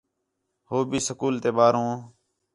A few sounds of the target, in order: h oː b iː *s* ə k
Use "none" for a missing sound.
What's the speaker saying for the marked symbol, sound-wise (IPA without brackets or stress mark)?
s